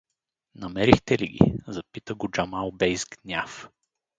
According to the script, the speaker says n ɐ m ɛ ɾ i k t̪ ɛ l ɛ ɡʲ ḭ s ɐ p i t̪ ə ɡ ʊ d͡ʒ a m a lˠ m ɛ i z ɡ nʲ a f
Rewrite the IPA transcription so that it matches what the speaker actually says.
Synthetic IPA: n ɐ m ɛ ɾ i x t̪ ɛ l i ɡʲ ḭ z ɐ p i t̪ ə ɡ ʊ d͡ʒ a m a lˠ b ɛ j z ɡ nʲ a f